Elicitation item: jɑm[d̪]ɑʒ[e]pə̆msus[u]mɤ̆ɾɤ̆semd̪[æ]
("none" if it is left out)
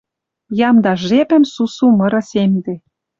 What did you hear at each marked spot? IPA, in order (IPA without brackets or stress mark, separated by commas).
d̪, e, u, e